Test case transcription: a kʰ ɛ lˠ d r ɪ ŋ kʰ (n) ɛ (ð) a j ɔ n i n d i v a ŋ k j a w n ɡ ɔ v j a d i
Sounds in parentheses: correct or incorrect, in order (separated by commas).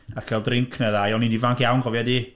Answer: correct, correct